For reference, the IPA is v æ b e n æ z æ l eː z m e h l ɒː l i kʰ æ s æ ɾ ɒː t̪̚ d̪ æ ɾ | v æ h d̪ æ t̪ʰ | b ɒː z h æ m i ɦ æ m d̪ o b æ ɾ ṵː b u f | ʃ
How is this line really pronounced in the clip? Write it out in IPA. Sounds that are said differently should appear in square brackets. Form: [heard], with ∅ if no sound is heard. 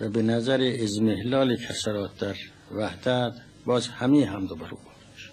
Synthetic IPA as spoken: v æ b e n æ z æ [ɾ] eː z m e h l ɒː l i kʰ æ s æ ɾ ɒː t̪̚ d̪ æ ɾ | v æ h d̪ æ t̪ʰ | b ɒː z h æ m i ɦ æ m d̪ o b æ ɾ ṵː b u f | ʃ